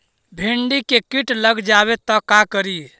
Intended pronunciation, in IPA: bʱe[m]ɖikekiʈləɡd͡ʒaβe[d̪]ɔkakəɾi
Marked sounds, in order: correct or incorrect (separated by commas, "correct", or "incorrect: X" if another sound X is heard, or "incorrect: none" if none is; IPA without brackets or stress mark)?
incorrect: ɳ, incorrect: t̪